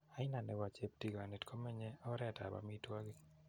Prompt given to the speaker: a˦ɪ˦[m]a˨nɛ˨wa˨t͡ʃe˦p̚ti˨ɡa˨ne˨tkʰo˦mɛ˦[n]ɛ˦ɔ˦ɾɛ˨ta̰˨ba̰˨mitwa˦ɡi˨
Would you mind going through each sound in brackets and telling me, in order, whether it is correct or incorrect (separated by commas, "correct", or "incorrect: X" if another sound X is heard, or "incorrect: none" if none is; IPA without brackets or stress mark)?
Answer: incorrect: n, incorrect: ɲ